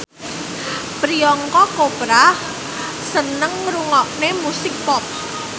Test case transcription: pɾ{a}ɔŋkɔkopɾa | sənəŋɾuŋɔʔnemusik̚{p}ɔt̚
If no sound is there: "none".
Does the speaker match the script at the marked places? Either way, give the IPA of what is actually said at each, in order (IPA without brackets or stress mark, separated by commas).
i, p